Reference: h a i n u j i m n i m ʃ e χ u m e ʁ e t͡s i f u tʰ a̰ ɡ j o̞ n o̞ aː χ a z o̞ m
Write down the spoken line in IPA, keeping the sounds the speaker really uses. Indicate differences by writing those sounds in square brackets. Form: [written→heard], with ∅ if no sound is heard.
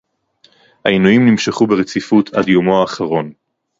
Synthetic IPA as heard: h a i n u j i m n i m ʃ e χ u [m→b] e ʁ e t͡s i f u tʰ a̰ [ɡ→d] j o̞ [n→m] o̞ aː χ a [z→ʁ] o̞ [m→n]